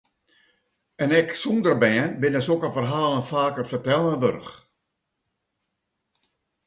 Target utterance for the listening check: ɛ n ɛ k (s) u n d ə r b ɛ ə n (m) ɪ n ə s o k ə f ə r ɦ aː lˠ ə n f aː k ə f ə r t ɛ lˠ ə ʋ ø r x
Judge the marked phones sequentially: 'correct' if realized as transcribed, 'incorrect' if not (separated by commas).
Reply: correct, incorrect